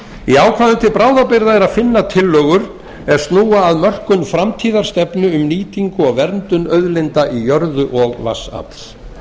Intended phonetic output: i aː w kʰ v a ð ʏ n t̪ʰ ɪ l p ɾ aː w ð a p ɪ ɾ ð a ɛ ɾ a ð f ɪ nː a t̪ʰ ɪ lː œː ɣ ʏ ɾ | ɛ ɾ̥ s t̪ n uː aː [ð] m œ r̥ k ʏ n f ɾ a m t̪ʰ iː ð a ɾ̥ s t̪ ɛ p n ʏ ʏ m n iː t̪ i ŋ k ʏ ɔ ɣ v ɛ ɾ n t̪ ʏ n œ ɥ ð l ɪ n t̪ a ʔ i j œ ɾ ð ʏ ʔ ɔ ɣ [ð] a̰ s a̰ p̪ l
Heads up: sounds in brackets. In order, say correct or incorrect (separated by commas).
correct, incorrect